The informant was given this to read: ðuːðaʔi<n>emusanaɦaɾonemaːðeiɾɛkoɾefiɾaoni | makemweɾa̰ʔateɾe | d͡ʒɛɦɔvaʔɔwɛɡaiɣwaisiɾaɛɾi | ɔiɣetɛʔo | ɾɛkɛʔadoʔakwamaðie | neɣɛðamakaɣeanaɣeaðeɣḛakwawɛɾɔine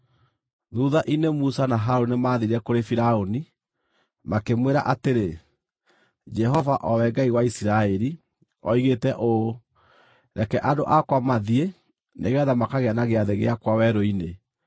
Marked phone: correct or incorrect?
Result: correct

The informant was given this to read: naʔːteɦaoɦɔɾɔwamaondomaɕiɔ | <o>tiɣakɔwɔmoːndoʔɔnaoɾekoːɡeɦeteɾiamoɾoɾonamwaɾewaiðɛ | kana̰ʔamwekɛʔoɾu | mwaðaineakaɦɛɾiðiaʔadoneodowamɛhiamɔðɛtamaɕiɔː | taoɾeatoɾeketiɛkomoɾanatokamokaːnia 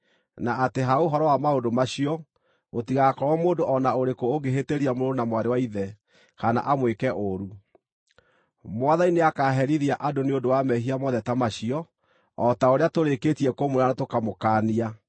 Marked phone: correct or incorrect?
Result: correct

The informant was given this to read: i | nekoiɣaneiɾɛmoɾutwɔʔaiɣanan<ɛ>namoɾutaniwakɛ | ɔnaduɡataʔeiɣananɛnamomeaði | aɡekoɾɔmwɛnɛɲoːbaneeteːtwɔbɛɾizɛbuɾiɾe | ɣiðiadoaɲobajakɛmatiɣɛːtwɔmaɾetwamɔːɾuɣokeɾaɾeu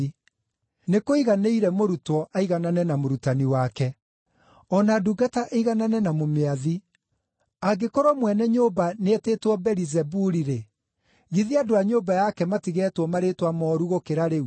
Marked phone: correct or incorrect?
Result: correct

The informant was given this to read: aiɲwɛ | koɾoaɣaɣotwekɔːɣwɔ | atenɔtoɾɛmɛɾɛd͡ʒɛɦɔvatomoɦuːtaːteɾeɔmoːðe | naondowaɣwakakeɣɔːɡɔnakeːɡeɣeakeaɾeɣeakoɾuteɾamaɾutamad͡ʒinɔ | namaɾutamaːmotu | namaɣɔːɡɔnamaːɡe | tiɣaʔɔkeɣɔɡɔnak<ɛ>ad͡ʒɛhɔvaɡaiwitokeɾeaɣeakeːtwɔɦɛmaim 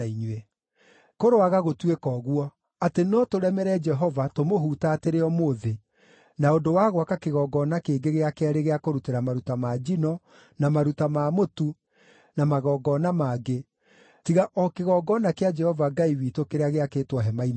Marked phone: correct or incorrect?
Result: incorrect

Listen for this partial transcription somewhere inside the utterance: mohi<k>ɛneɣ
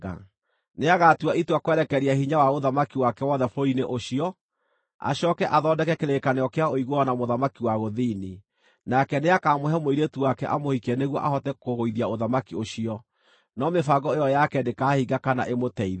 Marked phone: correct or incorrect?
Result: correct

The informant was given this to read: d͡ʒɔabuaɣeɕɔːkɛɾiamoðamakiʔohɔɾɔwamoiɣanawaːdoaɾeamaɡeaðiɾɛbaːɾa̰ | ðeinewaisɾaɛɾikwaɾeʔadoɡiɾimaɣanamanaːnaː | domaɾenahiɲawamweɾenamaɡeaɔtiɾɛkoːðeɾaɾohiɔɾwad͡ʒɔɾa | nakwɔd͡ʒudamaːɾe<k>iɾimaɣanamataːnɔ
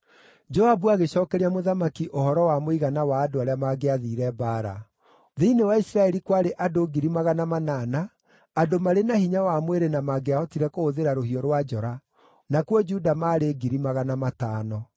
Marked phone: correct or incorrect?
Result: incorrect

